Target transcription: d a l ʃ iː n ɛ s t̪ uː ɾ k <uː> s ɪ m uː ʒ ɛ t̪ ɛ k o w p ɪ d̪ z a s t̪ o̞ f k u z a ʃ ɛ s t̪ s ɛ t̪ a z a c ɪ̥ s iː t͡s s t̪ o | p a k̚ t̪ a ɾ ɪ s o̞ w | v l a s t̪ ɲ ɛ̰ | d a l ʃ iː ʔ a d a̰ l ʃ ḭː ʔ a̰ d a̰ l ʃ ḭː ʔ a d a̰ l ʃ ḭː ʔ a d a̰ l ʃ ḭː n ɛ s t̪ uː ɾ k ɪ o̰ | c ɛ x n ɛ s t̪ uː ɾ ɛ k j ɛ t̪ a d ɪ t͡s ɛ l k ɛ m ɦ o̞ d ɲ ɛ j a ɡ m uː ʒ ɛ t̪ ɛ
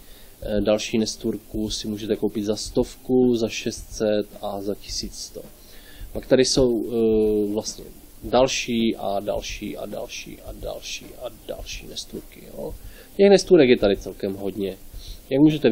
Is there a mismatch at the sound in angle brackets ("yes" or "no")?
yes